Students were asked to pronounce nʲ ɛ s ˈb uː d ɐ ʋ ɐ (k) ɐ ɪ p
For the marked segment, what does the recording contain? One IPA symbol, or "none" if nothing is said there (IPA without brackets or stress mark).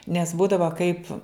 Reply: k